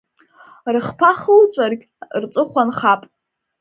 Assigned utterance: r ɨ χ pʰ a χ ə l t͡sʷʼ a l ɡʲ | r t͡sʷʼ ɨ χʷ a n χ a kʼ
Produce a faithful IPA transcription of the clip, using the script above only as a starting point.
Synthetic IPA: r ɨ χ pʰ a χ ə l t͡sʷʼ a r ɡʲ | r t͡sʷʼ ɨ χʷ a n χ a pʼ